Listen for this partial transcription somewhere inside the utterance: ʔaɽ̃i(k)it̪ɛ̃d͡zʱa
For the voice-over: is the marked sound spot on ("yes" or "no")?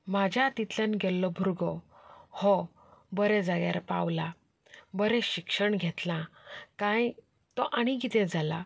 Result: no